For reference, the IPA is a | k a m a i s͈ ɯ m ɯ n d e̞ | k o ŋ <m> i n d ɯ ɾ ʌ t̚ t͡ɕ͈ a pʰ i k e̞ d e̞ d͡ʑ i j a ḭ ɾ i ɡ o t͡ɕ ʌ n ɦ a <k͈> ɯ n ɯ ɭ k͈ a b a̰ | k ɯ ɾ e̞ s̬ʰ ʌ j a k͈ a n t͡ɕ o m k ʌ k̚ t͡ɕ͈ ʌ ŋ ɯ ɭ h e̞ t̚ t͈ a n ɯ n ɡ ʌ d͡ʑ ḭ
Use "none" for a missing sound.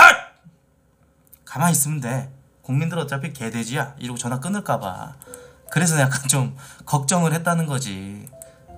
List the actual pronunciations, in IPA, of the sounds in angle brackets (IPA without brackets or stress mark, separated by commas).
m, k͈